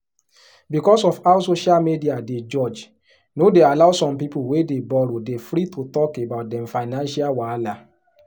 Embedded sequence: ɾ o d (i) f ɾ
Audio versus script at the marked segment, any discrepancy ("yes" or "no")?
yes